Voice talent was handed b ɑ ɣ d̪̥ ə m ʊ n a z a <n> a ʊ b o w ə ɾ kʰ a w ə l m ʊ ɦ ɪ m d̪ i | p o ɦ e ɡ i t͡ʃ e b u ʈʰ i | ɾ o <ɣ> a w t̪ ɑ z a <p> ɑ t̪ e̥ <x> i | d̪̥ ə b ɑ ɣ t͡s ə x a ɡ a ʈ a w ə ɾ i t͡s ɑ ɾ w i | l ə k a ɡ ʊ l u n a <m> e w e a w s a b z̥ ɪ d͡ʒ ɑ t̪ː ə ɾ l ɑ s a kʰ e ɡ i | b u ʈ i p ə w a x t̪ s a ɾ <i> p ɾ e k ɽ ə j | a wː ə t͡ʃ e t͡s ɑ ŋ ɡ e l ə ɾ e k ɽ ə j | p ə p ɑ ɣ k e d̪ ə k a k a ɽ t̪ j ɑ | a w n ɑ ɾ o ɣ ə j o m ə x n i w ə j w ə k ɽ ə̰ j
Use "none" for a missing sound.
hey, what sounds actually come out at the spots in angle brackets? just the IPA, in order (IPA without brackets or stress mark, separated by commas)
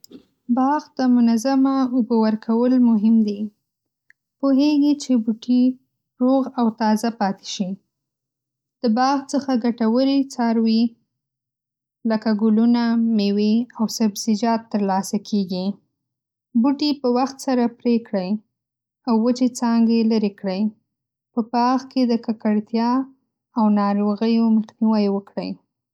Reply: m, ɣ, p, ʃ, m, a